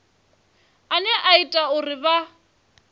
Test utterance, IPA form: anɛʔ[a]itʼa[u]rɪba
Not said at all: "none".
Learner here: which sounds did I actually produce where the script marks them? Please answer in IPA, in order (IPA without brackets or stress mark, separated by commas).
a, ʊ